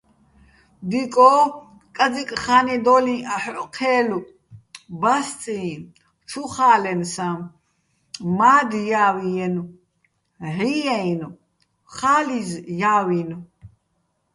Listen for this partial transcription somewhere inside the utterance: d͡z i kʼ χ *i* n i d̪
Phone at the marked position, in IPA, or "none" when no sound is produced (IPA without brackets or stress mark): a